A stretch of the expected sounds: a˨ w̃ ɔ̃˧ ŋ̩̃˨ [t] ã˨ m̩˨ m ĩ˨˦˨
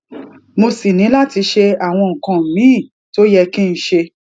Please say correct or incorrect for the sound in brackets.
incorrect